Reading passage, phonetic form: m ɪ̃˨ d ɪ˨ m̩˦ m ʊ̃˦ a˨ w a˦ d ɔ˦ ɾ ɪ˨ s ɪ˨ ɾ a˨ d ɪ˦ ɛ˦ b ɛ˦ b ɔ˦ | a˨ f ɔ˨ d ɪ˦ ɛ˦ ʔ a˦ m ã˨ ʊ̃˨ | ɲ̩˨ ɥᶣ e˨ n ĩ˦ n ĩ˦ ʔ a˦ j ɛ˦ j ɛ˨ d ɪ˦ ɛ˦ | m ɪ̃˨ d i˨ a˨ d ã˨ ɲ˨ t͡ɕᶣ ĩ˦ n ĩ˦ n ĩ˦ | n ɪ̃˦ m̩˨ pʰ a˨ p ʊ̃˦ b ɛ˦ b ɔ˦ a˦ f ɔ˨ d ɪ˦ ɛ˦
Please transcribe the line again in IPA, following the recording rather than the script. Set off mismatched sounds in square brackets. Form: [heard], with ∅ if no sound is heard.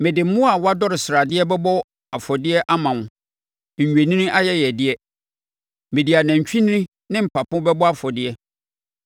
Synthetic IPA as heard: m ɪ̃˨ d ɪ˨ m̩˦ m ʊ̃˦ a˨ w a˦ d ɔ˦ ɾ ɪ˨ s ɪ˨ ɾ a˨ d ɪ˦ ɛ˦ b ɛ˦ b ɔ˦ | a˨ f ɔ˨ d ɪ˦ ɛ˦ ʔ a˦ m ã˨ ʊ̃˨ | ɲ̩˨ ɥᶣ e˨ n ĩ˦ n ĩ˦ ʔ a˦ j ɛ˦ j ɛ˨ d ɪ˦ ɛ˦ | m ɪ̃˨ d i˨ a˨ [n] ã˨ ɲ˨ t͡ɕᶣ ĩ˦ n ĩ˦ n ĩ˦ | n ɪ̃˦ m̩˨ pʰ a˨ p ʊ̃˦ b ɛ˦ b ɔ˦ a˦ f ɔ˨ d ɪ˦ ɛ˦